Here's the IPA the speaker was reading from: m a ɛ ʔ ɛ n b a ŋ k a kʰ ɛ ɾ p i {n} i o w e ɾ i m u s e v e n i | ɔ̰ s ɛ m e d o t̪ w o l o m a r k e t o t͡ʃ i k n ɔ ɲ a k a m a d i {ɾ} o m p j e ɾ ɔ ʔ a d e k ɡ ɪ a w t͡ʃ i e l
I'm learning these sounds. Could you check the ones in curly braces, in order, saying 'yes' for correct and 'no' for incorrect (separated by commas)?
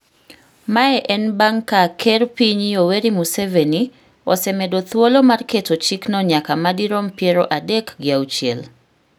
no, yes